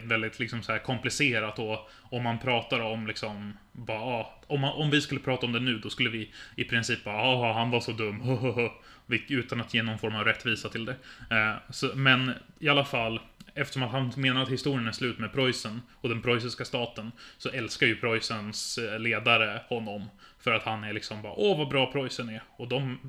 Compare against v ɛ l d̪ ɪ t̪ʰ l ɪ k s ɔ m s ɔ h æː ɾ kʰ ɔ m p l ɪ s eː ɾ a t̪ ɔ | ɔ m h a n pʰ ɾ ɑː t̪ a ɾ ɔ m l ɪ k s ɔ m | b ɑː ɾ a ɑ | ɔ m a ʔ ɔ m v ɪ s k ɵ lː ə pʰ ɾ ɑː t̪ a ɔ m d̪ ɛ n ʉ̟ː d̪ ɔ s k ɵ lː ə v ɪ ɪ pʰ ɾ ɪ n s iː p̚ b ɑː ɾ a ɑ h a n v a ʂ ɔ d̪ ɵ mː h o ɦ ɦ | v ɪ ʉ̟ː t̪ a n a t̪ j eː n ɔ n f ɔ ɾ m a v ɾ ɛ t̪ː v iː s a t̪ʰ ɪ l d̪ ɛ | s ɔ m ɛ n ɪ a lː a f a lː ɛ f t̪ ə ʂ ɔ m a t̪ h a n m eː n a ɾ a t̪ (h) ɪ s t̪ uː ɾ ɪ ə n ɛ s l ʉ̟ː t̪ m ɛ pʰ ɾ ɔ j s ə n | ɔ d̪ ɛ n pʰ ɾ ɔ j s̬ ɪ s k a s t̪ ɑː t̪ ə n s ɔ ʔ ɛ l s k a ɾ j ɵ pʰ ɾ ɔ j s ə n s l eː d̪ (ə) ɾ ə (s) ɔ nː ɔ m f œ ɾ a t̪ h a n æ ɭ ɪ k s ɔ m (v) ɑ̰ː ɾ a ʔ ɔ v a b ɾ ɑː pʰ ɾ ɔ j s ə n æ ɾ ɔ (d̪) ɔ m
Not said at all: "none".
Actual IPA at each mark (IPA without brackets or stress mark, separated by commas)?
h, a, h, b, d̪